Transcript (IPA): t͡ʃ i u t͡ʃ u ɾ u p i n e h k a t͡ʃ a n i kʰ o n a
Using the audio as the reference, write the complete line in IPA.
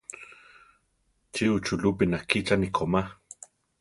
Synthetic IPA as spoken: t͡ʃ i u t͡ʃ u l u p i n a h k i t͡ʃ a n i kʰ o m a